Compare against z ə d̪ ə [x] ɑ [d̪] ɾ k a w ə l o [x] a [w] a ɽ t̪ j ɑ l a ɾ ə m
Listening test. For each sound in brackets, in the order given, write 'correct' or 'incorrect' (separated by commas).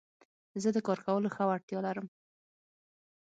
incorrect, incorrect, correct, correct